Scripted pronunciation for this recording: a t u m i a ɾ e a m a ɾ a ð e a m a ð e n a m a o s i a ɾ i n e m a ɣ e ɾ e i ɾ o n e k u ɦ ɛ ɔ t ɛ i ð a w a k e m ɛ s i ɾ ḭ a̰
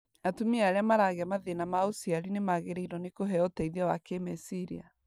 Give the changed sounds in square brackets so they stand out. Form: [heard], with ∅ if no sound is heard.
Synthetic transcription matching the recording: a t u m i a ɾ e a m a ɾ a [ɣ] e a m a ð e n a m a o s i a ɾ i n e m a ɣ e ɾ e i ɾ [ɔ] n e k [o] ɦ ɛ ɔ t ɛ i ð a w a k e m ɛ s i ɾ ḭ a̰